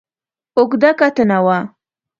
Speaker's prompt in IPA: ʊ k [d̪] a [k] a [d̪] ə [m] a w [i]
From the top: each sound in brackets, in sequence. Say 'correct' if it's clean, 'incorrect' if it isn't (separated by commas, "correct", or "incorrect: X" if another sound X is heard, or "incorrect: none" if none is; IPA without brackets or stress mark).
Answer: correct, correct, incorrect: t̪, incorrect: n, incorrect: a